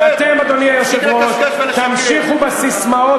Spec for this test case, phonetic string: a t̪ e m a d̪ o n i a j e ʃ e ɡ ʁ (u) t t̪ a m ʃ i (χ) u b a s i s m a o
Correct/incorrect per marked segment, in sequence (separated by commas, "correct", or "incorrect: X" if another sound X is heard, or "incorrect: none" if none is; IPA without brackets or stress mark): incorrect: o, correct